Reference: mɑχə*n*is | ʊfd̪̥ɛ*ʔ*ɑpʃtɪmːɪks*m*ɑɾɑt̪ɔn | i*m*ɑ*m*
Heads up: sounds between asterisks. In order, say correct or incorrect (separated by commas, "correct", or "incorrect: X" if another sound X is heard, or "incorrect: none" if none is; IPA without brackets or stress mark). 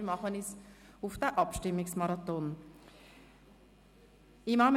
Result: correct, correct, correct, correct, correct